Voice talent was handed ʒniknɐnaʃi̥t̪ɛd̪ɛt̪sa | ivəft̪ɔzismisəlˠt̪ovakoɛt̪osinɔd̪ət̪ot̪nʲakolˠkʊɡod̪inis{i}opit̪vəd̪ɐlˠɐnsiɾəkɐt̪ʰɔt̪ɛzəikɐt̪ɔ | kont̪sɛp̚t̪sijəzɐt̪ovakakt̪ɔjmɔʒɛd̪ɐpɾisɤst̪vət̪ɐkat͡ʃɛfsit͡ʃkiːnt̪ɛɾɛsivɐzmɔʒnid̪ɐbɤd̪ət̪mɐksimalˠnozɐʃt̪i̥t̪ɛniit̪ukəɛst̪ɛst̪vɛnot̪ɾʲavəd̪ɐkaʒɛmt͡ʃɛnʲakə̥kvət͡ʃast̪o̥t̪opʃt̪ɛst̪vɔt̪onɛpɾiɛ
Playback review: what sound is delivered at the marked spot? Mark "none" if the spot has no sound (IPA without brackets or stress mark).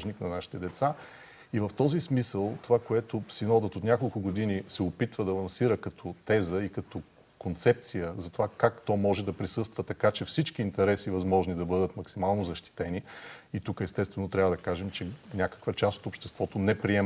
ɛ